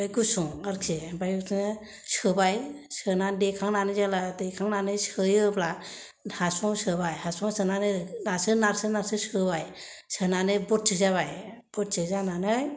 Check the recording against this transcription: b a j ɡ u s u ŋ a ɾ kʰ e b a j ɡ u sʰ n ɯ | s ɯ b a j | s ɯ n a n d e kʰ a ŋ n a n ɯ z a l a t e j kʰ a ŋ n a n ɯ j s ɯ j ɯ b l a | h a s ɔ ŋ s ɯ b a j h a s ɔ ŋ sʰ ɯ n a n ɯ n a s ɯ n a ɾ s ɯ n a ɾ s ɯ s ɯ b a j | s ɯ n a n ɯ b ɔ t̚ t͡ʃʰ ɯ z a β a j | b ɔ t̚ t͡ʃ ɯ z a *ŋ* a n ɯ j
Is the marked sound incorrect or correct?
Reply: incorrect